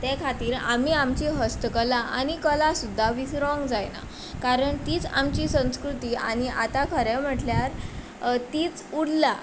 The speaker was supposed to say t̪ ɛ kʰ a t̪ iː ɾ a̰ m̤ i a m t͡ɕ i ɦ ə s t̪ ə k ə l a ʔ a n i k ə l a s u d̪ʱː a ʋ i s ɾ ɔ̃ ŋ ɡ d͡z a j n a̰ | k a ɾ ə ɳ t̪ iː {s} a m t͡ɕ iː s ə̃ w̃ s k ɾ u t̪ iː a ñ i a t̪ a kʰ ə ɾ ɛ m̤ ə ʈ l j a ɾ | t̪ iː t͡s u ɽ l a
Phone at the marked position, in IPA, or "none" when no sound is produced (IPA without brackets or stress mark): t͡s